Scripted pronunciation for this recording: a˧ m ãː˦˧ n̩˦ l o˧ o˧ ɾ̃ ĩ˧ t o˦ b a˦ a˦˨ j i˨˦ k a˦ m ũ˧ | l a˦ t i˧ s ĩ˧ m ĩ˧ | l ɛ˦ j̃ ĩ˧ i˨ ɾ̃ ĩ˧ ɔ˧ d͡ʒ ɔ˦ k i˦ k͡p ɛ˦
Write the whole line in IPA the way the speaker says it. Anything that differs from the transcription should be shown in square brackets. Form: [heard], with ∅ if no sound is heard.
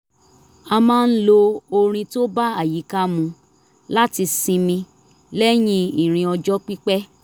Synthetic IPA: a˧ m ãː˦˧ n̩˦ l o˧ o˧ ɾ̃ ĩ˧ t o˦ b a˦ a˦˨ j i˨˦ k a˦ m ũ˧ | l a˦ t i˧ s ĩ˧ m ĩ˧ | l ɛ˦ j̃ ĩ˧ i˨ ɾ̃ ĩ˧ ɔ˧ d͡ʒ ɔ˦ [k͡p] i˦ k͡p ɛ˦